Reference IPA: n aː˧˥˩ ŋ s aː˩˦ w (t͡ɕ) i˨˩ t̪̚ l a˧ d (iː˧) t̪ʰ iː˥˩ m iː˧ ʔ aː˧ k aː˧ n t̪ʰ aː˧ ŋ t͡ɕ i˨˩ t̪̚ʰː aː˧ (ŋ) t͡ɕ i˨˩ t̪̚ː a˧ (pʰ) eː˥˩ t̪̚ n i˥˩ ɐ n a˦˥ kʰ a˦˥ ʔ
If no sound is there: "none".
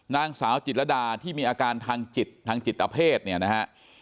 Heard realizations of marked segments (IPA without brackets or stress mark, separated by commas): t͡ɕ, aː˧, ŋ, pʰ